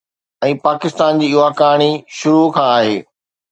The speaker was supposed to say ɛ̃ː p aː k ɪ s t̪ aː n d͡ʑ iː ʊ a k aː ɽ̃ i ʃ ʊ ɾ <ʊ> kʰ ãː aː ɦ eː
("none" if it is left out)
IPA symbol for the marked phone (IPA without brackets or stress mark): u